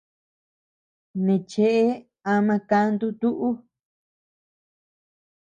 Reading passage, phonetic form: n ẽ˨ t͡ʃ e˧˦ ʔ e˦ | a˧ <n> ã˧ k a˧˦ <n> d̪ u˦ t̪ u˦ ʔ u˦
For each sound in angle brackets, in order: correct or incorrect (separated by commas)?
incorrect, correct